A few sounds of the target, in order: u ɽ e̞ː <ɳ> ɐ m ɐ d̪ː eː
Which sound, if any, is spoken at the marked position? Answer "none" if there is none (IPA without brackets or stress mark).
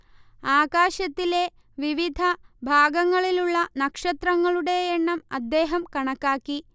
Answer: ɳː